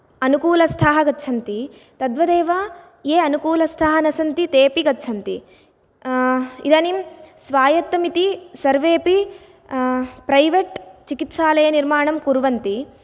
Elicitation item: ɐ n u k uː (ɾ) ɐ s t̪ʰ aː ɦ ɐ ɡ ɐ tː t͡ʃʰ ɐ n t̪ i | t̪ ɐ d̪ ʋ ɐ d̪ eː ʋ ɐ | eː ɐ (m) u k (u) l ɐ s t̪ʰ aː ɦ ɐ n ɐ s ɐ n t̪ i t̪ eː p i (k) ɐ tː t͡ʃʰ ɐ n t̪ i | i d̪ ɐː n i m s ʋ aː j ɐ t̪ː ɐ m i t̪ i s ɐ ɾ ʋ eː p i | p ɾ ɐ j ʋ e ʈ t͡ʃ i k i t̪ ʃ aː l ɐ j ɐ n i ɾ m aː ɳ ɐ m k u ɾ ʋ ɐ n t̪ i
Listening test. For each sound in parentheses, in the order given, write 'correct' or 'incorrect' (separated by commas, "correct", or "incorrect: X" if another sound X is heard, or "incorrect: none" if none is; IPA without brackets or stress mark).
incorrect: l, incorrect: n, incorrect: uː, incorrect: ɡ